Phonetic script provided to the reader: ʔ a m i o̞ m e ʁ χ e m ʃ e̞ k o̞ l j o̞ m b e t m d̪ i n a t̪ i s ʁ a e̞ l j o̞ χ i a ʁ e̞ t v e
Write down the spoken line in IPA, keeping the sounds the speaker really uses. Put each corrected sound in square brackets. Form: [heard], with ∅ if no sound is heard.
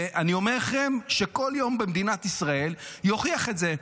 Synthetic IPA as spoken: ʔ a [n] i o̞ m e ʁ χ e m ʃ e̞ k o̞ l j o̞ m b e [∅] m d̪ i n a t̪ i s ʁ a e̞ l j o̞ χ i a [χ] e̞ t [z] e